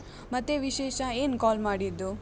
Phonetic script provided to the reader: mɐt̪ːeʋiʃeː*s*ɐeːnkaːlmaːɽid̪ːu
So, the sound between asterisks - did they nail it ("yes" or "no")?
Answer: no